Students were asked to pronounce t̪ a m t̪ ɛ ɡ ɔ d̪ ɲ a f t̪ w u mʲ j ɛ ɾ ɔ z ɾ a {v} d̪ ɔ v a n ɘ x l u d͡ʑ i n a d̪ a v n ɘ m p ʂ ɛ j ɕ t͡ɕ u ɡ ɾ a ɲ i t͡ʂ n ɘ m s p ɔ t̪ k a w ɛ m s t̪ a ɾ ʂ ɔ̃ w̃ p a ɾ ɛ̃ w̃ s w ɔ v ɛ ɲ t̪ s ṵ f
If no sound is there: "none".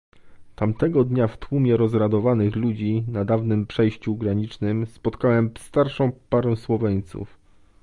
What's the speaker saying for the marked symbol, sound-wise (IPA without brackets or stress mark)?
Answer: none